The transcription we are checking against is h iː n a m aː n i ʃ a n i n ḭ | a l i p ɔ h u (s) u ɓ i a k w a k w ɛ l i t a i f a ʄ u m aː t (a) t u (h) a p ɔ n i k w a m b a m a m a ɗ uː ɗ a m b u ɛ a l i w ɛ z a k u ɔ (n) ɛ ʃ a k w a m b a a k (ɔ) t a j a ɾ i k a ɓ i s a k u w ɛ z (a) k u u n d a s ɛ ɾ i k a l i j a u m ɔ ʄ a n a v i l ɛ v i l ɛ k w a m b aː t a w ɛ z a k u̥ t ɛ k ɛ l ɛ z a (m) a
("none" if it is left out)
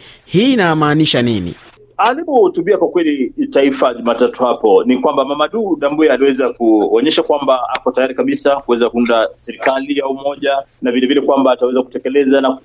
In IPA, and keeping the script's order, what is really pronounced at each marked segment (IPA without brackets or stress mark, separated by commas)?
t, a, h, ɲ, ɔ, a, n